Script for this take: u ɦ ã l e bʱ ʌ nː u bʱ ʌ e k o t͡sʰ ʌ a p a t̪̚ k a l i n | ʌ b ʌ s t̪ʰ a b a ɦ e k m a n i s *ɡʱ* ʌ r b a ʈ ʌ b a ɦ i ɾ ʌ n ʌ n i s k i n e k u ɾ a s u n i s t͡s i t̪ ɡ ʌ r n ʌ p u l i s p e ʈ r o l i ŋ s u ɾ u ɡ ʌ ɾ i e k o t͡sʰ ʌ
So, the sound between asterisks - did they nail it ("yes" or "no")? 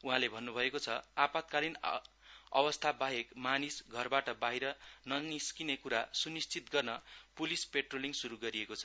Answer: yes